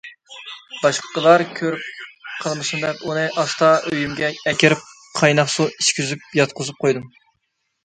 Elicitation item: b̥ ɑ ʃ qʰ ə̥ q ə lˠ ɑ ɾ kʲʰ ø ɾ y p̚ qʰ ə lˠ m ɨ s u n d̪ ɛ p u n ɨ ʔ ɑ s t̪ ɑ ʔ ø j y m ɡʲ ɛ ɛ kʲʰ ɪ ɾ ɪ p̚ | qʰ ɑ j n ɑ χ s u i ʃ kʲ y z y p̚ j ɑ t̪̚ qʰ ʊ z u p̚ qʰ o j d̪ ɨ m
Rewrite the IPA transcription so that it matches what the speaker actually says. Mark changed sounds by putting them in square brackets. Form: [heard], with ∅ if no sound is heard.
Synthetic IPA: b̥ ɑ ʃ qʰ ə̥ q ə lˠ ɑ ɾ kʲʰ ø ɾ y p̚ qʰ ə lˠ m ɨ s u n d̪ ɛ p u n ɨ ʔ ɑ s t̪ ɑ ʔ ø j y m ɡʲ ɛ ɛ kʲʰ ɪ ɾ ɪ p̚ | qʰ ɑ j n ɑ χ s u i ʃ kʲ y z y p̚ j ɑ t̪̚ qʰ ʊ z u p̚ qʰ o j d̪ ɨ m